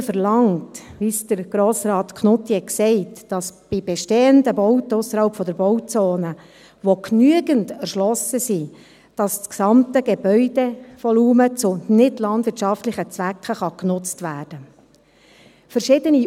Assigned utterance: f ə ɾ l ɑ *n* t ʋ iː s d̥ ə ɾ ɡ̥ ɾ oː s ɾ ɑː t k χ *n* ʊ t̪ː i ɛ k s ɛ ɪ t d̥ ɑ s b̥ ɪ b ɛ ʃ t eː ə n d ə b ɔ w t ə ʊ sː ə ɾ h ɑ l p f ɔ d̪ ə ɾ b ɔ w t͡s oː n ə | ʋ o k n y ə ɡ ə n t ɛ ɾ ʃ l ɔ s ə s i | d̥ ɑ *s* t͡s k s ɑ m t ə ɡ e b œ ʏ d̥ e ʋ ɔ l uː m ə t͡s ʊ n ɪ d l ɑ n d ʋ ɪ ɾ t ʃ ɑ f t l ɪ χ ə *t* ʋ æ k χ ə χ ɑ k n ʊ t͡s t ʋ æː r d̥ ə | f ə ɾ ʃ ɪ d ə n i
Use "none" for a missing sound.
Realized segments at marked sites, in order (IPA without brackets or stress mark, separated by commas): ŋ, n, s, t͡s